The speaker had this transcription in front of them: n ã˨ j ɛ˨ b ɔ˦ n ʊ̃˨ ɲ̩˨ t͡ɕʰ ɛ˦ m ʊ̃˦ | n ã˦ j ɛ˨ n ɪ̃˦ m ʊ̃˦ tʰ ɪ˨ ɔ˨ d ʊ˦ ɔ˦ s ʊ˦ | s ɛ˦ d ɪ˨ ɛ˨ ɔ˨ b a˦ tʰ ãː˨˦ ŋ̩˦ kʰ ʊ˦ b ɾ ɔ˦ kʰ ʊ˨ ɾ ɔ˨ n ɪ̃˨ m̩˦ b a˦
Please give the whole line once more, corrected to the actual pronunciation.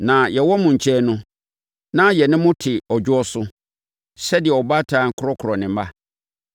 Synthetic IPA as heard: n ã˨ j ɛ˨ w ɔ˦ m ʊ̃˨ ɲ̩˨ t͡ɕʰ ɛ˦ n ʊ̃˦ | n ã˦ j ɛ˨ n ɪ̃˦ m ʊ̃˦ tʰ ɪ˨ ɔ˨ d͡ʑ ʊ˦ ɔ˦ s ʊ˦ | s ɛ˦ d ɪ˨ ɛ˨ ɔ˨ b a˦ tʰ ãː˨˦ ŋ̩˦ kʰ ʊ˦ ɾ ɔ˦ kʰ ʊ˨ ɾ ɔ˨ n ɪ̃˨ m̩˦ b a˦